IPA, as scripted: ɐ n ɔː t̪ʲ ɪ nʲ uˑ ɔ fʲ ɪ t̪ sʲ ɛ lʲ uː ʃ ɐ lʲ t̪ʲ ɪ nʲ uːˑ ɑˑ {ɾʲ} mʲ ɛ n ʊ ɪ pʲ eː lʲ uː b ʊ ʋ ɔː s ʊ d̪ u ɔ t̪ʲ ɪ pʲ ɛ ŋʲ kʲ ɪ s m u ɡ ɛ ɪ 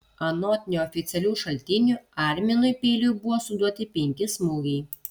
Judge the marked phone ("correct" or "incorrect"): correct